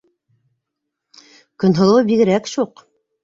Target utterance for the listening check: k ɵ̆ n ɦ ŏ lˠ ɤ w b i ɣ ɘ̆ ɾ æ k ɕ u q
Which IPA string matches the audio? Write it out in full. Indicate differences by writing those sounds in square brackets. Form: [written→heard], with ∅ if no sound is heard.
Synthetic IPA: k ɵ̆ n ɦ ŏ lˠ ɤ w b i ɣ ɘ̆ ɾ æ k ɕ u q